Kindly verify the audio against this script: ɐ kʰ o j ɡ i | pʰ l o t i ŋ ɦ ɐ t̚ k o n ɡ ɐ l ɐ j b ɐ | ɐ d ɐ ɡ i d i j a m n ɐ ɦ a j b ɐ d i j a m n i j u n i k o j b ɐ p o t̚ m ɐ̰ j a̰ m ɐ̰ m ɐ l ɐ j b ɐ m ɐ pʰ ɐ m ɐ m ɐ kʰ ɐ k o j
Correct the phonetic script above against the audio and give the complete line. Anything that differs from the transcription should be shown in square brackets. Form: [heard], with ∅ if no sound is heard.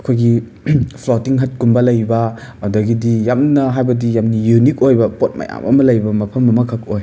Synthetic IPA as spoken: ɐ kʰ o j ɡ i | pʰ l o t i ŋ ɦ ɐ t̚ k [u] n [b] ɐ l ɐ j b ɐ | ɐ d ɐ ɡ i d i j a m n ɐ ɦ a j b ɐ d i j a m n i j u n i k o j b ɐ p o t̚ m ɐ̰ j a̰ m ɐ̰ m ɐ l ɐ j b ɐ m ɐ pʰ ɐ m ɐ m ɐ kʰ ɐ k o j